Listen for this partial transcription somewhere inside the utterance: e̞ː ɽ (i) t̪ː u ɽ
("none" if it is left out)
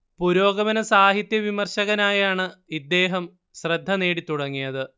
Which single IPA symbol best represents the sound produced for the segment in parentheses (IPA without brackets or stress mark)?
i